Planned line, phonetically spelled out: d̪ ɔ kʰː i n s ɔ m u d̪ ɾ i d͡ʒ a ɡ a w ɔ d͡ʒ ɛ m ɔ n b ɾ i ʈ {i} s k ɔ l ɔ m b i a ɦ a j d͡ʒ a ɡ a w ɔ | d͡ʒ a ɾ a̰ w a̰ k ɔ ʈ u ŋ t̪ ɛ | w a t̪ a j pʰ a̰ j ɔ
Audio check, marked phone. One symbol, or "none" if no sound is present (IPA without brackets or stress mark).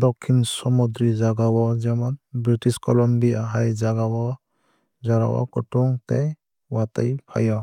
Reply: i